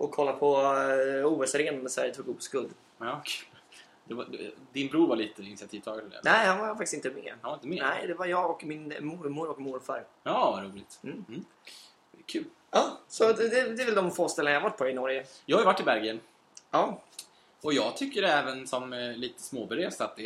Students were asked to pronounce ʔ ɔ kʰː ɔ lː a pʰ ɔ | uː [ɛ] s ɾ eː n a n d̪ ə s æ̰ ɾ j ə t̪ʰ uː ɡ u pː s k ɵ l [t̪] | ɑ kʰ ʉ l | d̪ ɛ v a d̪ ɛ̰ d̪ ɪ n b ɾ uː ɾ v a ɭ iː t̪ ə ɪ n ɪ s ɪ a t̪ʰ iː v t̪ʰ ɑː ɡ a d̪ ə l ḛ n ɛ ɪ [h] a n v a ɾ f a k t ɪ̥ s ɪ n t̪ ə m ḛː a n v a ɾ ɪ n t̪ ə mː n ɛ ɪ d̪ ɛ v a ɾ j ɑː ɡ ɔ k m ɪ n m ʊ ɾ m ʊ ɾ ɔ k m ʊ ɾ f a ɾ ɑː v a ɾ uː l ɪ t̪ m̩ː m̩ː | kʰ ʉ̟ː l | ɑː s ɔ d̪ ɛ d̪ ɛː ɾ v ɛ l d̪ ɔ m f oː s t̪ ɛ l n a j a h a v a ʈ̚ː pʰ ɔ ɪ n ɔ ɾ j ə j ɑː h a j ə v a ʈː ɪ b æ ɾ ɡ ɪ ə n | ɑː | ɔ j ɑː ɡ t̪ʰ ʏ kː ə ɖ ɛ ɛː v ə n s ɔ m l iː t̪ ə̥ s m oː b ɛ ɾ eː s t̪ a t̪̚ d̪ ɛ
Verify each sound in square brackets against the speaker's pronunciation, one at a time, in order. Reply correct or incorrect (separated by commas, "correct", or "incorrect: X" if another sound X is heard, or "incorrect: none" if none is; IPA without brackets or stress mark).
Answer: correct, incorrect: d̪, correct